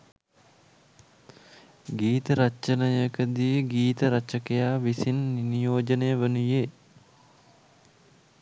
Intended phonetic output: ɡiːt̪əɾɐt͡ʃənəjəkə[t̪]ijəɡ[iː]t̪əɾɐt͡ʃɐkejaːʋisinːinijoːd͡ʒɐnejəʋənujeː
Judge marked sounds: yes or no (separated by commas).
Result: no, yes